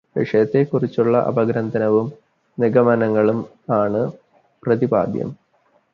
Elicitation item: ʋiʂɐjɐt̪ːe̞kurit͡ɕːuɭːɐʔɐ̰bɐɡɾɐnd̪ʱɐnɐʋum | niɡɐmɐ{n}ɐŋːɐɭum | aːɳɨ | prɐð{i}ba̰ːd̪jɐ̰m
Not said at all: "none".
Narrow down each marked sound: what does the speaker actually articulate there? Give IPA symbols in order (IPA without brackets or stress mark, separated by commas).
n, i